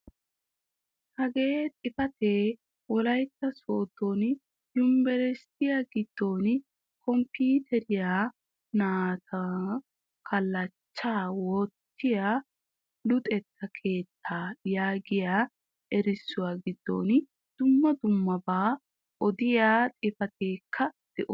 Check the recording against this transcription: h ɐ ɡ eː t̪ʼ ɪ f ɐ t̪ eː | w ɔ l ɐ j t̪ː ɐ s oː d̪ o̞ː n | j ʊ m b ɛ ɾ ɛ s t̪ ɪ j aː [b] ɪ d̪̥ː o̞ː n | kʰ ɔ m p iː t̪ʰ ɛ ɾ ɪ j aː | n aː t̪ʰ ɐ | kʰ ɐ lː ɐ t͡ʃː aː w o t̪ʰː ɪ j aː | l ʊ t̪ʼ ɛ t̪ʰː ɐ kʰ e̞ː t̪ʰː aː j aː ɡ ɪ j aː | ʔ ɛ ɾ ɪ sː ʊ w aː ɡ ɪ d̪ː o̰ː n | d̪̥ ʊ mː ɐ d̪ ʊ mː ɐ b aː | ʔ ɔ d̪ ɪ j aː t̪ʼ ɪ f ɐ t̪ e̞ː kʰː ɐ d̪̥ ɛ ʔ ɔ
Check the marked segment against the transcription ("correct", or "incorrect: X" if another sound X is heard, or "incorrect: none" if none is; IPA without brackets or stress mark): incorrect: ɡ